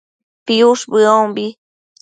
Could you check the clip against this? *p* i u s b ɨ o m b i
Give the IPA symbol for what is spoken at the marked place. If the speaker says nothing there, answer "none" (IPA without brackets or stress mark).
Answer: p